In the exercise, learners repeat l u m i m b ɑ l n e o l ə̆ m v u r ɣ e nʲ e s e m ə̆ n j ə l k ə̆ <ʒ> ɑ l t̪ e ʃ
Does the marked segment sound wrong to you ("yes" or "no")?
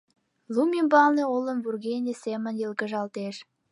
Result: no